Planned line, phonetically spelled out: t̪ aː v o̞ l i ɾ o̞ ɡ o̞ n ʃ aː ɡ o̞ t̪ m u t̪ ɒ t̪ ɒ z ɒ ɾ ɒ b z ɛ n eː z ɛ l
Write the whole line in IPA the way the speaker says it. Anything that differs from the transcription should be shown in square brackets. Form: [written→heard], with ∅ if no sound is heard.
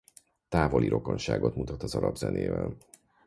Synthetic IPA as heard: t̪ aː v o̞ l i ɾ o̞ [ɡ→k] o̞ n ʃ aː ɡ o̞ t̪ m u t̪ ɒ t̪ ɒ z ɒ ɾ ɒ b z ɛ n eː [z→v] ɛ l